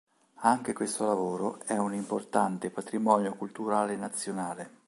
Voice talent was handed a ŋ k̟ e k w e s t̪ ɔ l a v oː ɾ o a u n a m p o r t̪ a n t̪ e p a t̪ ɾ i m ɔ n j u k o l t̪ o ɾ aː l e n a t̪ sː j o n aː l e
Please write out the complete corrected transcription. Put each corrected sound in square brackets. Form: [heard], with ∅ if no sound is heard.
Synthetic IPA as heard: a ŋ k̟ e k w e s t̪ [o] l a v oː ɾ o [ɛ] u n [i] m p o r t̪ a n t̪ e p a t̪ ɾ i m ɔ n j [o] k [u] l t̪ [u] ɾ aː l e n a t̪ sː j o n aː l e